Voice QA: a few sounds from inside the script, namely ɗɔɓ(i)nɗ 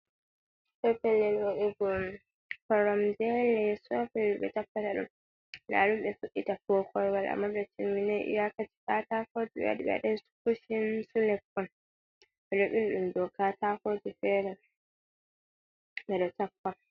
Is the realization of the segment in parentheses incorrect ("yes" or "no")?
no